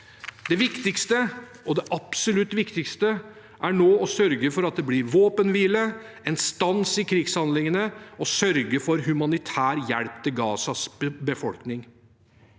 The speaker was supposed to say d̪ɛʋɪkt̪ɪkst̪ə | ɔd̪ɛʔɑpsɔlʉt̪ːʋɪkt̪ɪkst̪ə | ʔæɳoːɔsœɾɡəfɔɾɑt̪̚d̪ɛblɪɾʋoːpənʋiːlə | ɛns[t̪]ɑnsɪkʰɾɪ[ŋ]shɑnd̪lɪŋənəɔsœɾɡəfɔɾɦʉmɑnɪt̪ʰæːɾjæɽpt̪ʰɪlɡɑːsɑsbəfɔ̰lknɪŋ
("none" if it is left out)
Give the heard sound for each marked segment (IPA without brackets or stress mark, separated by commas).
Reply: t̪, ɡ